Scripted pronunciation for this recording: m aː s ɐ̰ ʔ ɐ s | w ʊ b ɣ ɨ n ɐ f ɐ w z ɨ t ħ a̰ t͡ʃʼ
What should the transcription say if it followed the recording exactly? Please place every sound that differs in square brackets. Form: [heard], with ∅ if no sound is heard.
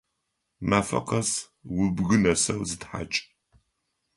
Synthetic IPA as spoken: m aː [f] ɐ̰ [q] ɐ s | w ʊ b ɣ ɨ n ɐ [s] ɐ w z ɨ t ħ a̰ t͡ʃʼ